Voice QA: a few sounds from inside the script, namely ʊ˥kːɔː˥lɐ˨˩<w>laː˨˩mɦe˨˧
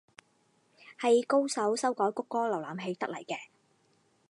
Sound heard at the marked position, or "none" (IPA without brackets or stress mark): w